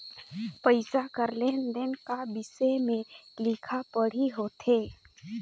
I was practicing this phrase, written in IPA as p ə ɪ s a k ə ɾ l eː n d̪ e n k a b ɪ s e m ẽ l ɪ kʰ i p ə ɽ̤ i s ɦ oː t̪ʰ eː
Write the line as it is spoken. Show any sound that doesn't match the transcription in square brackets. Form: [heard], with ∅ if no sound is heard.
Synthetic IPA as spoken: p ə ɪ s a k ə ɾ l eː n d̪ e n k a b ɪ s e m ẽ l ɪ kʰ [a] p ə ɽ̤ i [∅] ɦ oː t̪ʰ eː